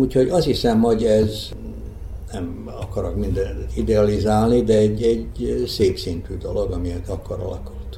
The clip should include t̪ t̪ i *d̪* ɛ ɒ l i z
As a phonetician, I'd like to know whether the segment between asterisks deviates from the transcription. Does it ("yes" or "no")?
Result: no